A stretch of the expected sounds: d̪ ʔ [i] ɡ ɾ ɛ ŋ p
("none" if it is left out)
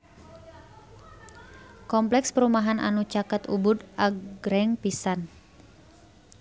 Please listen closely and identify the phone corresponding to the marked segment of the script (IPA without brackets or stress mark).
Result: a